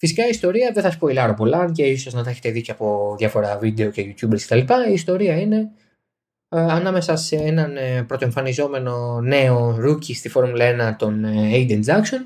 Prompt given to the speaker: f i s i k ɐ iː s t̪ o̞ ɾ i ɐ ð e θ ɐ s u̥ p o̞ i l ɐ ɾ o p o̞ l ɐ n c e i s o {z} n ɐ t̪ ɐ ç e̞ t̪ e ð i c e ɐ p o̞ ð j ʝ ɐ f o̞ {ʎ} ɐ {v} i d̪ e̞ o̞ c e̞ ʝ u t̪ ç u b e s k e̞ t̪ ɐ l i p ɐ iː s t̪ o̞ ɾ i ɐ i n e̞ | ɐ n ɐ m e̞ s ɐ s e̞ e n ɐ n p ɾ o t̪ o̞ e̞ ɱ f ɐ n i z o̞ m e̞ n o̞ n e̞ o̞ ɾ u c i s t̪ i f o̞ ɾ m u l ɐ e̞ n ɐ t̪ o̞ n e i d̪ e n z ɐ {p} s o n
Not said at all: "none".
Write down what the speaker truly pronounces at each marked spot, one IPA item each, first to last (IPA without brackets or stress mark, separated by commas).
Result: z, ɾ, v, k